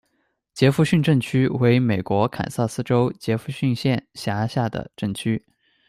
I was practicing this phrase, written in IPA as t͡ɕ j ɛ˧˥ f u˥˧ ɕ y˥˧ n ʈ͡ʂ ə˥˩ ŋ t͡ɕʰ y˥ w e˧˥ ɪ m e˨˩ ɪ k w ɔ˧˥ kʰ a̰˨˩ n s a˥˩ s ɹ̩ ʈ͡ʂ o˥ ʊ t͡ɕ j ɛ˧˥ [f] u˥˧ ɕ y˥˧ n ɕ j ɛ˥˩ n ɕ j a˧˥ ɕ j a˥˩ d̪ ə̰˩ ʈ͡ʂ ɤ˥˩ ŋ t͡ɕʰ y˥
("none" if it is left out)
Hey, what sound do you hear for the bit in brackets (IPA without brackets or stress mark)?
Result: f